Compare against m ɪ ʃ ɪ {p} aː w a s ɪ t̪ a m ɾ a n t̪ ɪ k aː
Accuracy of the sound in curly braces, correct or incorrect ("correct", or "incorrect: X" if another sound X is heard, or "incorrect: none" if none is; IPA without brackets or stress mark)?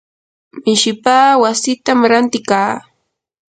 correct